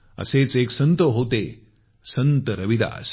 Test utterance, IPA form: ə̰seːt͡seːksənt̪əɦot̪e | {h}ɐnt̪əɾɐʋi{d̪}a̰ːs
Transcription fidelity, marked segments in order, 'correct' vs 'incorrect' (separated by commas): incorrect, correct